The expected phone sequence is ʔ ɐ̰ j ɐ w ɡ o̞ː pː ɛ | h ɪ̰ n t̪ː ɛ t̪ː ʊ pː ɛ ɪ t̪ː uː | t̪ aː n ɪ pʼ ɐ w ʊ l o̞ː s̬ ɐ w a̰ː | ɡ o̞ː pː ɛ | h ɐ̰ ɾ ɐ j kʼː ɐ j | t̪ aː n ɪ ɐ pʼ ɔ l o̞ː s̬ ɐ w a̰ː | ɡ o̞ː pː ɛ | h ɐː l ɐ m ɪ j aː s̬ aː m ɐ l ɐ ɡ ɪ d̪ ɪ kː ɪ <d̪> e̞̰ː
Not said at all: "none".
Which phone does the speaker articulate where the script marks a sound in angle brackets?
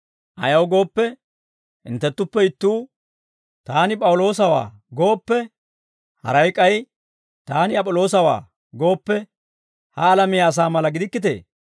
t̪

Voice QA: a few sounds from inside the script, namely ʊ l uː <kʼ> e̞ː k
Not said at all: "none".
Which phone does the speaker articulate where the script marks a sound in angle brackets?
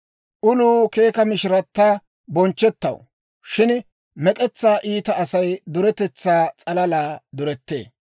k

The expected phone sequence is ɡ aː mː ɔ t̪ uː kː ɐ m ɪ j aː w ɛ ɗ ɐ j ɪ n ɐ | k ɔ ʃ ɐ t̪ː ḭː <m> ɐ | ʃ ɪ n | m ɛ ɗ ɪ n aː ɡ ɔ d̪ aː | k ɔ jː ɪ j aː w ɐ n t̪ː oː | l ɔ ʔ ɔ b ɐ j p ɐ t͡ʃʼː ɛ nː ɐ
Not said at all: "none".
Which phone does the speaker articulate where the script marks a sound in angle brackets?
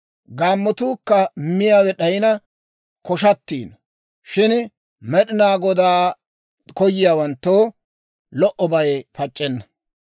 n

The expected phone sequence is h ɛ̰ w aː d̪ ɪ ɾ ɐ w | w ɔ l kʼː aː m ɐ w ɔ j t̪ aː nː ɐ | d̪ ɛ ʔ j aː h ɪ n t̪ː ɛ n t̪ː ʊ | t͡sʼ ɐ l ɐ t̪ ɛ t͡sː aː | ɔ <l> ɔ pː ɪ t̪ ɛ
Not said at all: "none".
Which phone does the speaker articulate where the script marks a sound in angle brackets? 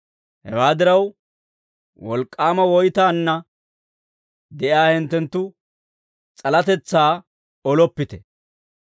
l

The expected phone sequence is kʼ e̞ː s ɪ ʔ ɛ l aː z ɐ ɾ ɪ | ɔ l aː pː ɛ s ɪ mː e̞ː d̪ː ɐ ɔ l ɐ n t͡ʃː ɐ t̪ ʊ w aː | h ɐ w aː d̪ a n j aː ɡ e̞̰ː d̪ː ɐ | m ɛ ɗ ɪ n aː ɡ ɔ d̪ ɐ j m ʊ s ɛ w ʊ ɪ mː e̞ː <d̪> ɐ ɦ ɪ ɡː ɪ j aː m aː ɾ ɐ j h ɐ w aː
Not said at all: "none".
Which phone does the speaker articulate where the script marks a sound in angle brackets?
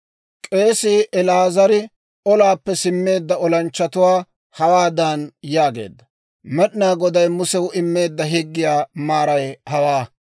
d̪ː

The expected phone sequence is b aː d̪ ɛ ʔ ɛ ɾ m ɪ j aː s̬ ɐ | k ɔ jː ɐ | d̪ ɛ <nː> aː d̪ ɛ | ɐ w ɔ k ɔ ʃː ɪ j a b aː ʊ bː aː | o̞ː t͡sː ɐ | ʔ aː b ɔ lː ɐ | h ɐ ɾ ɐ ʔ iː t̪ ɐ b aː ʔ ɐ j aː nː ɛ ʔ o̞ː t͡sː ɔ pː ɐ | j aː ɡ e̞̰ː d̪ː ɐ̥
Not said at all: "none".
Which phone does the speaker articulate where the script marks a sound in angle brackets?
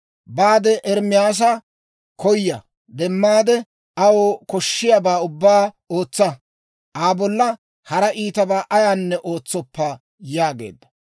mː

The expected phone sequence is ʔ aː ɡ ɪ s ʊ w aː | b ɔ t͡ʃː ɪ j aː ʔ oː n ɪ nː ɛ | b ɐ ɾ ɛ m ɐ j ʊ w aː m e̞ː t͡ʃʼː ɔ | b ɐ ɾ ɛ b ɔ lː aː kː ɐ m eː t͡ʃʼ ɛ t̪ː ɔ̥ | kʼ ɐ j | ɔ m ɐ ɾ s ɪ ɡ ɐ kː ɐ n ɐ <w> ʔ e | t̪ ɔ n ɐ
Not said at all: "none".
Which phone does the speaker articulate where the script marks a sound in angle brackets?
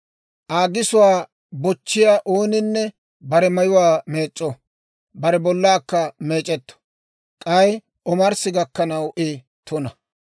w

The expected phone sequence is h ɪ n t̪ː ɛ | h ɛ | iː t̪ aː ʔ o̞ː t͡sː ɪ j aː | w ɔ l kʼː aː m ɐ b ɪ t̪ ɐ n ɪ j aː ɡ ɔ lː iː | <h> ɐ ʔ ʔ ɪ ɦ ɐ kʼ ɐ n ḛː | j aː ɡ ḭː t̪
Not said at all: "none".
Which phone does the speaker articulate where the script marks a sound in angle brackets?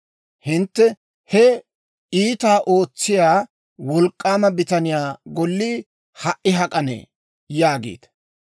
h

